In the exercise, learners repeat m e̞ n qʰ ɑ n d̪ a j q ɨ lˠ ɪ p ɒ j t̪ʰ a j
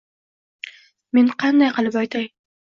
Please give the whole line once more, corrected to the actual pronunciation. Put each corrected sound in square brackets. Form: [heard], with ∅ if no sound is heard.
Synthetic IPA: m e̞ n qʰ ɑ n d̪ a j q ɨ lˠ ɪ p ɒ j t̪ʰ a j

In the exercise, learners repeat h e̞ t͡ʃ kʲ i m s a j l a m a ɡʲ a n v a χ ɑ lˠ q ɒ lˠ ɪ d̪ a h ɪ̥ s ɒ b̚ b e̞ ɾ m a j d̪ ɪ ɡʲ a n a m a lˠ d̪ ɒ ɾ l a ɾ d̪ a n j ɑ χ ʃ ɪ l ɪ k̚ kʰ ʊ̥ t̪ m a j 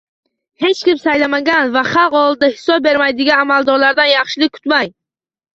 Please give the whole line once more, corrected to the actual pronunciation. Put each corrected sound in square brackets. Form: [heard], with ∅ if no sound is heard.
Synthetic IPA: h e̞ t͡ʃ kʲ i m s a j l a m a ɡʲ a n v a χ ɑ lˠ q ɒ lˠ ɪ d̪ a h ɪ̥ s ɒ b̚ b e̞ ɾ m a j d̪ ɪ ɡʲ a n a m a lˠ d̪ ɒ ɾ l a ɾ d̪ a n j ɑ χ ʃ ɪ l ɪ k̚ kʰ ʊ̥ t̪ m a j

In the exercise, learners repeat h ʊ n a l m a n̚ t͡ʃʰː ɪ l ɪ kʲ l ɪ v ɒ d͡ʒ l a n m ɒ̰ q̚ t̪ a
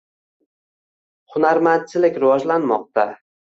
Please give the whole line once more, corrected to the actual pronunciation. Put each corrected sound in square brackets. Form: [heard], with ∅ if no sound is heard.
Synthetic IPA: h ʊ n a [ɾ] m a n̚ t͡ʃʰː ɪ l ɪ kʲ [ɾ] ɪ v ɒ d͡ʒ l a n m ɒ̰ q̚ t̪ a

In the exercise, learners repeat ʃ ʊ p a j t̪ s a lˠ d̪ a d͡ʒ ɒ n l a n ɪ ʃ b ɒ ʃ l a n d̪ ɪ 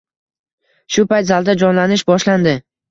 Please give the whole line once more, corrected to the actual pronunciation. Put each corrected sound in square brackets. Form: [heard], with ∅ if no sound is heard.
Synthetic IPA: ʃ ʊ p a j t̪ [z] a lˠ d̪ a d͡ʒ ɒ n l a n ɪ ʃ b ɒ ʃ l a n d̪ ɪ

